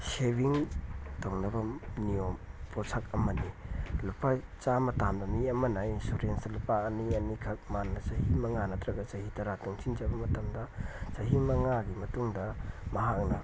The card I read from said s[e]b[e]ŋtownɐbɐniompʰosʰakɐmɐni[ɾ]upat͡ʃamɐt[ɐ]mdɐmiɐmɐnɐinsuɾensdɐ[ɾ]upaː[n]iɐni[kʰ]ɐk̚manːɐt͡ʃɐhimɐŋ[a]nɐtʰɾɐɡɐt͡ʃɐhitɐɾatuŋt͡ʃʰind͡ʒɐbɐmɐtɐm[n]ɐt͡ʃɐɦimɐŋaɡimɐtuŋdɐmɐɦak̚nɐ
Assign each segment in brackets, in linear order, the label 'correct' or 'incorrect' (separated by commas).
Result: correct, incorrect, incorrect, incorrect, incorrect, correct, correct, correct, incorrect